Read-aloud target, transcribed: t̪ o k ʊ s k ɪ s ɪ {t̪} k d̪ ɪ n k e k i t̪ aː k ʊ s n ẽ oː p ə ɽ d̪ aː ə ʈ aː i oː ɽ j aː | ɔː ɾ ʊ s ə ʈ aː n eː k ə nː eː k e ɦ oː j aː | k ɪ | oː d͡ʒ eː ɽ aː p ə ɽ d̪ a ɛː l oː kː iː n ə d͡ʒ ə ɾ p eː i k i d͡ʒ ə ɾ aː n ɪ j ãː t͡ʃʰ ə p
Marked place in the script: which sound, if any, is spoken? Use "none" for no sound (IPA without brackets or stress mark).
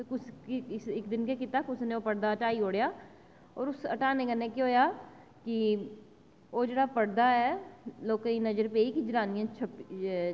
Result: none